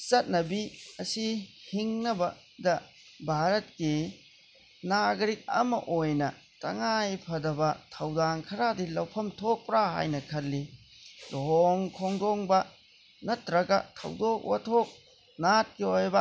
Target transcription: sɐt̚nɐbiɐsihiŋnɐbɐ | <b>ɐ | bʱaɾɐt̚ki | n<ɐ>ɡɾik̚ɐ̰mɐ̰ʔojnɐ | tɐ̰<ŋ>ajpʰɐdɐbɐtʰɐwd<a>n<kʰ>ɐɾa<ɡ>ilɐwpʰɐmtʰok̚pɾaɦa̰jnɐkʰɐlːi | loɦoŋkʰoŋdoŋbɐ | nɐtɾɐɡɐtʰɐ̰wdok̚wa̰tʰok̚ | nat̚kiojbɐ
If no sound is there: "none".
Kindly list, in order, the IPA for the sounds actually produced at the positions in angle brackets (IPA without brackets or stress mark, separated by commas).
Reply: d, a, ŋ, a, kʰ, d